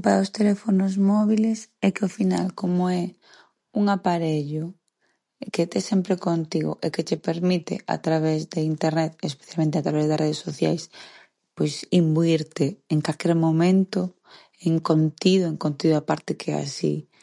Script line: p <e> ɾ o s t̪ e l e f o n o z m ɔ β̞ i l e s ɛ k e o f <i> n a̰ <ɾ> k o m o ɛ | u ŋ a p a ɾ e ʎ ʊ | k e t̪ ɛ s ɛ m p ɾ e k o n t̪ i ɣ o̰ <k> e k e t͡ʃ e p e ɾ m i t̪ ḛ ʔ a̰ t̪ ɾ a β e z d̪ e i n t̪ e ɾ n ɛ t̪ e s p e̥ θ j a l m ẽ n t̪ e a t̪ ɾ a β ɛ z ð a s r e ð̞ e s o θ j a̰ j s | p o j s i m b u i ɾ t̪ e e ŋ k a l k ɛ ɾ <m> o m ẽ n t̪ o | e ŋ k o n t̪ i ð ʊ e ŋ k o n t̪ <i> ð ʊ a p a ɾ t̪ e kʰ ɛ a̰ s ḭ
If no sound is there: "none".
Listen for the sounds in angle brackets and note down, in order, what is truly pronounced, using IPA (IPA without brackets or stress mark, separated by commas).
a, i, l, ʔ, m, i